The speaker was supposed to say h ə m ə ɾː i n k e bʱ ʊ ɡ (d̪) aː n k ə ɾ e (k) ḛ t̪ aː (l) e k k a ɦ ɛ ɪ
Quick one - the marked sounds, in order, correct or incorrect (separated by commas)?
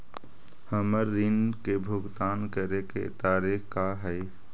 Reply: incorrect, correct, incorrect